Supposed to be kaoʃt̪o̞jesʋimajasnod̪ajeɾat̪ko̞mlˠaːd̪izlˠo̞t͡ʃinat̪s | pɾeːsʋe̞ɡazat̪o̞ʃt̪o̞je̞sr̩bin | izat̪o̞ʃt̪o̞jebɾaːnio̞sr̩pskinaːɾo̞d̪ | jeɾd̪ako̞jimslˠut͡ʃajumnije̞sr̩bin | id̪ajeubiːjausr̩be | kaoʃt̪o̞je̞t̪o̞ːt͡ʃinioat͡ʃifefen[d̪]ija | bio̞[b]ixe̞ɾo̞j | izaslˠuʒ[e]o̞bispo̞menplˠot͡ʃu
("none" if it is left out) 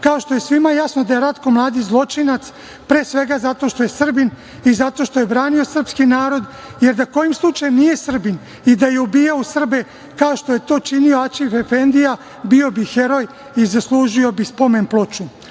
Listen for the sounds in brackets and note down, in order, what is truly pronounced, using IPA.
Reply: d̪, b, i

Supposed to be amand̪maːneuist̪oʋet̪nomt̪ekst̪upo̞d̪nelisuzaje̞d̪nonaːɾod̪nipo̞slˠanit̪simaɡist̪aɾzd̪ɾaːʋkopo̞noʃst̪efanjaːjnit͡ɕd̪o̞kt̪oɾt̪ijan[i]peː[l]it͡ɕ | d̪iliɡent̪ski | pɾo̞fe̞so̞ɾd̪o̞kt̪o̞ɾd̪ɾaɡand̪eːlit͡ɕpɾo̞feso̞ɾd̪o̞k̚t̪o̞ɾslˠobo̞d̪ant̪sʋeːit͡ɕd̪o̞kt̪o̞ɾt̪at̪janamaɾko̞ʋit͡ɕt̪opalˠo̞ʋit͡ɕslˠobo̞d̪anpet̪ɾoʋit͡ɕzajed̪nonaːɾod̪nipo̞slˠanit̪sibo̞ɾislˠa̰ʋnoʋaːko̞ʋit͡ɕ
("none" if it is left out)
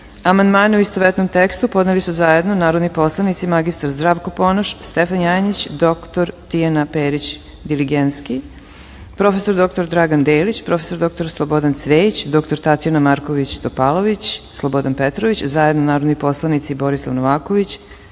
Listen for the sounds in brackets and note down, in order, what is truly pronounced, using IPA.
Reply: a, ɾ

